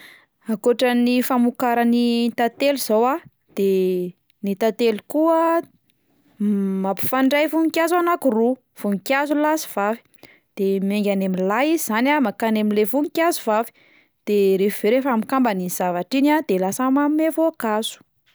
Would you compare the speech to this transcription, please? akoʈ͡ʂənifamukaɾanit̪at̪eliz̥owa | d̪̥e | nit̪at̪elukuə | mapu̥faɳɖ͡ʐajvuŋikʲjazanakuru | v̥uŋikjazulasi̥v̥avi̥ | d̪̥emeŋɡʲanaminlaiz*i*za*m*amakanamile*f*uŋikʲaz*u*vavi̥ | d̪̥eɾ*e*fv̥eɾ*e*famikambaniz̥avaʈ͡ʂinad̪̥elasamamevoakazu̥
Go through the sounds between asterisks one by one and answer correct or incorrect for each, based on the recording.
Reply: correct, incorrect: n, incorrect: v, correct, correct, correct

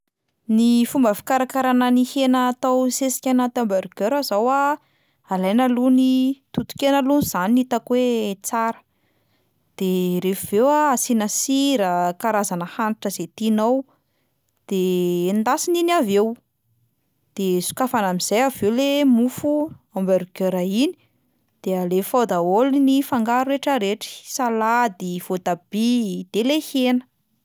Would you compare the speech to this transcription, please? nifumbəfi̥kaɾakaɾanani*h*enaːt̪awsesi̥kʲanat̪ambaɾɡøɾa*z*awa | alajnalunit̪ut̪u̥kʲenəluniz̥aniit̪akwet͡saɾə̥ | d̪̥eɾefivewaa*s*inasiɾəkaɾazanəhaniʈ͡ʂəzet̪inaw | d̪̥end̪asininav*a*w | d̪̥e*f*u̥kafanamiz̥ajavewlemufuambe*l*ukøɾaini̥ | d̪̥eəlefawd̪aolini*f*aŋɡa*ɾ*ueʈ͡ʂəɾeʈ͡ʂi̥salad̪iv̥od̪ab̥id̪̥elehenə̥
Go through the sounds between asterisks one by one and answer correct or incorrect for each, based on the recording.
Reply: correct, correct, correct, incorrect: e, incorrect: s, incorrect: ɾ, correct, correct

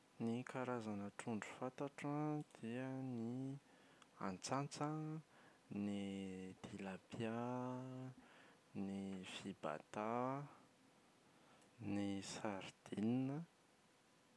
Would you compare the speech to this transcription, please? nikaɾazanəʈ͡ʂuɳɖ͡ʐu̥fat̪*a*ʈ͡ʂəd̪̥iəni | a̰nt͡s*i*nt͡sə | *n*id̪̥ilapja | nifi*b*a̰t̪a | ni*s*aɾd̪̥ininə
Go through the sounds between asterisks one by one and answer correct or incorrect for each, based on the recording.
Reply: correct, incorrect: a, correct, correct, correct

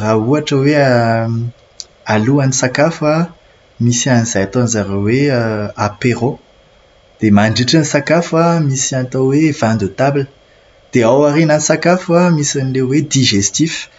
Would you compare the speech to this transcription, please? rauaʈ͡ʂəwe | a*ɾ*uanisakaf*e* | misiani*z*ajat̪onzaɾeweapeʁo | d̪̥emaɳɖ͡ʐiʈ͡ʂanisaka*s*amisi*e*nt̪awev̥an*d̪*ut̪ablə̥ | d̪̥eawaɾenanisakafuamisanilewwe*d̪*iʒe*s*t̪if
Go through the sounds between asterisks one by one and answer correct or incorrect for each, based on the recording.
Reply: incorrect: l, incorrect: a, correct, incorrect: f, incorrect: a, correct, correct, correct

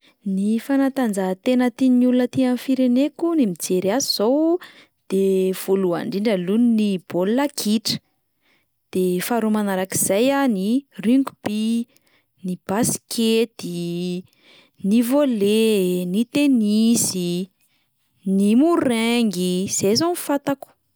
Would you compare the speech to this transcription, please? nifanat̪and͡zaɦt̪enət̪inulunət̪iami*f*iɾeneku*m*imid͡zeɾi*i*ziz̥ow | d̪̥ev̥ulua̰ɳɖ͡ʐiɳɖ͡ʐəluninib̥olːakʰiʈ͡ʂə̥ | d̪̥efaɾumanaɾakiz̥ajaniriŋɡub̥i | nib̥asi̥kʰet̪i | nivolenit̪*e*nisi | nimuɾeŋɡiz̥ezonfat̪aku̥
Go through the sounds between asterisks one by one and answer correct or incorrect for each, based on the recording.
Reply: correct, incorrect: n, incorrect: a, correct

